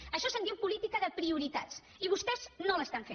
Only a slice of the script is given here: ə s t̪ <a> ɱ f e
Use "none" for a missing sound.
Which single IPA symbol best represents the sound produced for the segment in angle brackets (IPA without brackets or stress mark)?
a